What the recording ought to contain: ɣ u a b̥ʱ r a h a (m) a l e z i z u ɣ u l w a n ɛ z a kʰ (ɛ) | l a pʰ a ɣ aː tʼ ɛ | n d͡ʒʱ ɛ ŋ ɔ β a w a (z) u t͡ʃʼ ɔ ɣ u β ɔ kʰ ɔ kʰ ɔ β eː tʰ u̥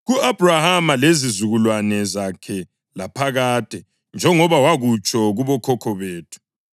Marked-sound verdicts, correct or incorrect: correct, correct, incorrect

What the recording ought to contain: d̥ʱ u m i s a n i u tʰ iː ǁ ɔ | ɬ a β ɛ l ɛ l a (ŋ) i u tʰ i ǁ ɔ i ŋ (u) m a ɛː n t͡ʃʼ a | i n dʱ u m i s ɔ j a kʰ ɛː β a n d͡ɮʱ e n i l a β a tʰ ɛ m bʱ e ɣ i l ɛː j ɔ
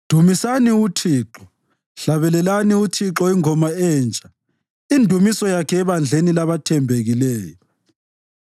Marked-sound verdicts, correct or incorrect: incorrect, incorrect

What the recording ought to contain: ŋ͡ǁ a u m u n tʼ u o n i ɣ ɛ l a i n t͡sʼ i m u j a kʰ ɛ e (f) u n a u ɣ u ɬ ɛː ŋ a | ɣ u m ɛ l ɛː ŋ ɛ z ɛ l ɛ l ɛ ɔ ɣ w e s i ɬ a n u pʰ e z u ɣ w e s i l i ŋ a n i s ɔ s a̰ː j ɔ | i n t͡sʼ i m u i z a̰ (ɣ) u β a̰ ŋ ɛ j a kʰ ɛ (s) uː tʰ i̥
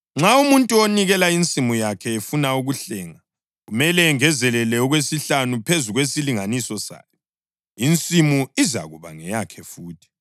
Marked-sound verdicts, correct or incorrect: correct, correct, incorrect

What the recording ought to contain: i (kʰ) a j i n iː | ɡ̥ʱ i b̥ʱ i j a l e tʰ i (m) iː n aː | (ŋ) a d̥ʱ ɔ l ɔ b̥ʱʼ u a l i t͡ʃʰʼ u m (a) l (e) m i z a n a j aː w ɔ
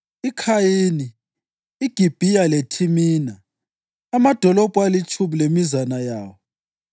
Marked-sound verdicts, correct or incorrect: correct, correct, incorrect, incorrect, correct

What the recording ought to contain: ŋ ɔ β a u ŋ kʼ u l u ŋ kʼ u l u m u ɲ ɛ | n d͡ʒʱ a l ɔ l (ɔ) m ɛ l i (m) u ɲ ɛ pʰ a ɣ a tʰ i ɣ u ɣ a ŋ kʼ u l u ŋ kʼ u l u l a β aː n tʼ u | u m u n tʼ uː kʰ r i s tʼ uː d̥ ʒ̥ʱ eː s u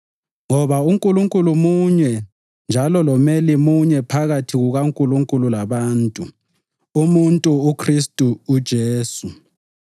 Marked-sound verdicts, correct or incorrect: correct, correct

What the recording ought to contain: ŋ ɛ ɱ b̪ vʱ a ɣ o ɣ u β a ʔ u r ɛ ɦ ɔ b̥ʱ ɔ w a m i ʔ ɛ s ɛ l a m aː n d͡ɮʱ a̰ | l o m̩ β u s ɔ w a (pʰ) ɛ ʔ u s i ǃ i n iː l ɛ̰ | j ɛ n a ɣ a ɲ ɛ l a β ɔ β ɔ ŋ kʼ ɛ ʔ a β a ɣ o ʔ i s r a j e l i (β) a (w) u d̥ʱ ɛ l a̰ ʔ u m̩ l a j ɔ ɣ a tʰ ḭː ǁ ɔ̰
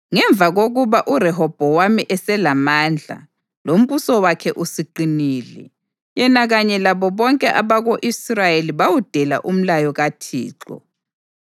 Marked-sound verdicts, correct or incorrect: incorrect, correct, correct

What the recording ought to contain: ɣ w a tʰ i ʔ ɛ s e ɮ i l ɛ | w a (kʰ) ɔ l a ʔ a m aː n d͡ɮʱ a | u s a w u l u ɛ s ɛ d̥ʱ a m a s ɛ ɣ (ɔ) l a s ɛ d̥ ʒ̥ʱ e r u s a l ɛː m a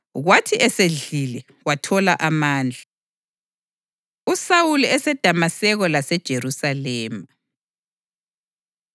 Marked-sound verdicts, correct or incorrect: incorrect, correct

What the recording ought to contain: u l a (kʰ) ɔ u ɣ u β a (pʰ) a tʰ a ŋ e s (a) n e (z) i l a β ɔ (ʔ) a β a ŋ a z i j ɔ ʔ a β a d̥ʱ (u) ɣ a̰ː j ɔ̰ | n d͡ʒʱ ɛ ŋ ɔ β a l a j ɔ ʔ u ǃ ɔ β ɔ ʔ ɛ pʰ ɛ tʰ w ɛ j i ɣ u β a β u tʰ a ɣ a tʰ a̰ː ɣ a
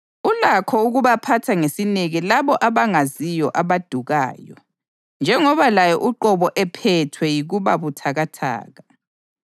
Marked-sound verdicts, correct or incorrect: correct, correct, incorrect, incorrect, correct, correct

